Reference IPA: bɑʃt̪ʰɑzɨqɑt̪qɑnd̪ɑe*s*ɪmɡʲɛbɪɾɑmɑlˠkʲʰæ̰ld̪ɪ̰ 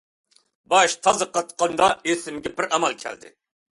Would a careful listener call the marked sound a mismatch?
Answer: no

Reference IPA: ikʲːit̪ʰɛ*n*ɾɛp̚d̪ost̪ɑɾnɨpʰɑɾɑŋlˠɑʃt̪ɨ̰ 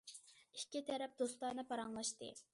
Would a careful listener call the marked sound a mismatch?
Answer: yes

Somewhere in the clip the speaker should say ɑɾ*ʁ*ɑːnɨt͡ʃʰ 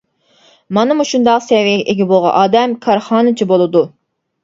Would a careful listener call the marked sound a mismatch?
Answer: yes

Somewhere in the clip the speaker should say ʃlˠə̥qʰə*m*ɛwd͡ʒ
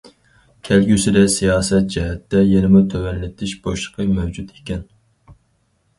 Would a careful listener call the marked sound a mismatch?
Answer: no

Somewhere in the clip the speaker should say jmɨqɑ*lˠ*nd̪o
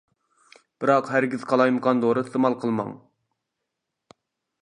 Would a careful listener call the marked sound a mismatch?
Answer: yes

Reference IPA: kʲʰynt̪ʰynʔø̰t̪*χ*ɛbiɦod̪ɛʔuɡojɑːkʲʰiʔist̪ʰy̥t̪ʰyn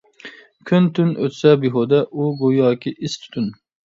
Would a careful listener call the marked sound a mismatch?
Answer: yes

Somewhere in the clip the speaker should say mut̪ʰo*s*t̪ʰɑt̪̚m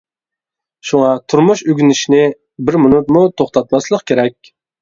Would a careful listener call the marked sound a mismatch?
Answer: yes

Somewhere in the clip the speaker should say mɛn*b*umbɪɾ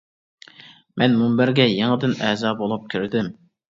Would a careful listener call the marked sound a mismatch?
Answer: yes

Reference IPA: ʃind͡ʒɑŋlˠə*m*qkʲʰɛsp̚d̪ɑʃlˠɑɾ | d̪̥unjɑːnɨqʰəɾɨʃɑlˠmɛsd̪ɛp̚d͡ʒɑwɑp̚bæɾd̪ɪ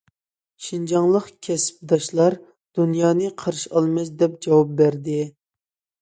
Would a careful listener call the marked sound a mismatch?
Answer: yes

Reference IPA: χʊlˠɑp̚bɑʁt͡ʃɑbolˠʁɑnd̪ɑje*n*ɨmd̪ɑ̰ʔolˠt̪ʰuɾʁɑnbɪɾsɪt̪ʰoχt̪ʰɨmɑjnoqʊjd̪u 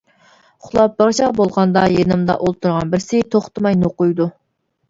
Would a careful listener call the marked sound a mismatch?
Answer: no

